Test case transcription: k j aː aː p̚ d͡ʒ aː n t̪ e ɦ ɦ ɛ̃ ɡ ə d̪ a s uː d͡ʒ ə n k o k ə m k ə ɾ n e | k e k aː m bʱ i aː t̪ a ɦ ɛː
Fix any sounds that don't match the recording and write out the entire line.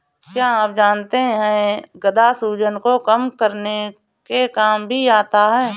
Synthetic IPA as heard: k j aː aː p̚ d͡ʒ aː n t̪ e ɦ ɦ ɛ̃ ɡ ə d̪ a s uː d͡ʒ ə n k o k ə m k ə ɾ n e | k e k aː m bʱ i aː t̪ a ɦ ɛː